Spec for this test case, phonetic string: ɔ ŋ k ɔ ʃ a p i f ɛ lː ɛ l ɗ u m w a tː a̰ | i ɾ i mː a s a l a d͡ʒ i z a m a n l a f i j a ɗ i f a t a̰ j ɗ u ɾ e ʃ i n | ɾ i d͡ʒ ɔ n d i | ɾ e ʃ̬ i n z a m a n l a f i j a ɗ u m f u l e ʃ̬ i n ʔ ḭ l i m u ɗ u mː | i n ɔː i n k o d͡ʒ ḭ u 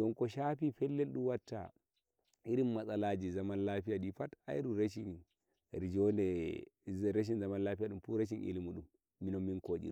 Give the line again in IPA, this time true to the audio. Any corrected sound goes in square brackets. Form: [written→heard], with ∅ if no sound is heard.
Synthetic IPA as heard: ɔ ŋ k ɔ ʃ a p i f ɛ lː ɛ l ɗ u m w a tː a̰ | i ɾ i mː a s a l a d͡ʒ i z a m a n l a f i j a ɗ i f a t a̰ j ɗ u ɾ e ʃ i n | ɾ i d͡ʒ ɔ n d [i→ɛ] | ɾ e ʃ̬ i n z a m a n l a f i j a ɗ u m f u [l→ɾ] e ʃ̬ i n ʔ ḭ l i m u ɗ u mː | i n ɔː i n k o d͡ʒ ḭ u